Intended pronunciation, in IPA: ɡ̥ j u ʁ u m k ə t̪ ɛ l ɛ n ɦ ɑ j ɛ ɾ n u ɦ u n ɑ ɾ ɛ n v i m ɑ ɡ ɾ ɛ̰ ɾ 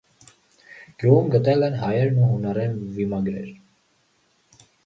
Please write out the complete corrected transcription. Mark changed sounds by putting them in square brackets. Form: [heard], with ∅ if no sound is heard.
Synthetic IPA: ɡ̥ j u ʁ u m [ɡ] ə t̪ ɛ l ɛ n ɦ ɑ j ɛ ɾ n u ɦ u n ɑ ɾ ɛ n v i m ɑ ɡ ɾ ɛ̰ ɾ